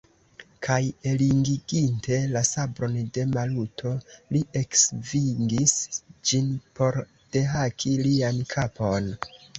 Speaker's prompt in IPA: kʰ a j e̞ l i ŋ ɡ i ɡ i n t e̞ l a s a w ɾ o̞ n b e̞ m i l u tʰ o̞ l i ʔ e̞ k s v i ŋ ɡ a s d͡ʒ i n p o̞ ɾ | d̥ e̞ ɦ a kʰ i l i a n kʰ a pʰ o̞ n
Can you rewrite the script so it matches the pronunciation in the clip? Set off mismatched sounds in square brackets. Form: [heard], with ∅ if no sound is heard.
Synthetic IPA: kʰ a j e̞ l i ŋ ɡ i ɡ i n t e̞ l a s a [b] ɾ o̞ n [d] e̞ m [a] l u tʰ o̞ l i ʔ e̞ k s v i ŋ ɡ [i] s d͡ʒ i n p o̞ ɾ | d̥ e̞ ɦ a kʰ i l i a n kʰ a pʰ o̞ n